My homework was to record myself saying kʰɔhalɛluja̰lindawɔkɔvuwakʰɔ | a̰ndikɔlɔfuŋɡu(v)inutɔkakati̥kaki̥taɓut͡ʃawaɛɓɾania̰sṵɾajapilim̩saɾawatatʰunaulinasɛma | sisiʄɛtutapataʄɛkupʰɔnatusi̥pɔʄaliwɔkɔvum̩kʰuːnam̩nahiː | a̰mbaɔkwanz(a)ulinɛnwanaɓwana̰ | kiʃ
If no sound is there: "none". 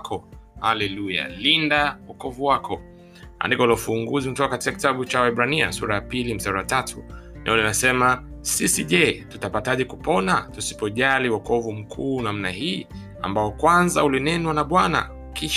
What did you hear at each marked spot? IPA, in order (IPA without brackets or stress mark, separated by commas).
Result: z, a